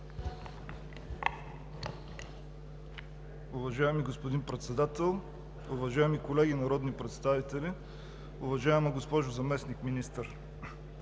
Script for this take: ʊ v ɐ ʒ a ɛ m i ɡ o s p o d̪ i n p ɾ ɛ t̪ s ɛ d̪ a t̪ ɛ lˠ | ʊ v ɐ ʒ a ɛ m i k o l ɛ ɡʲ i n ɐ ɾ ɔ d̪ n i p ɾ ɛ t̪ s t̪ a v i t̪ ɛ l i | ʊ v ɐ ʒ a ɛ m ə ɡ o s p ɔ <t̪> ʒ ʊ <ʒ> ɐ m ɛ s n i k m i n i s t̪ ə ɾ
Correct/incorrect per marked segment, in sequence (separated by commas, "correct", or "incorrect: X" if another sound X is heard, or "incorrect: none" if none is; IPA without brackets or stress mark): incorrect: none, incorrect: z